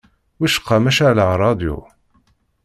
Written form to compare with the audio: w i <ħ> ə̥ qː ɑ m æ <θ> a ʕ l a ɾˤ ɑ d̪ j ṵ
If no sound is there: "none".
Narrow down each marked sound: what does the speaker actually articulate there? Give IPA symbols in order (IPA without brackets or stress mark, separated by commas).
ʃ, ʃ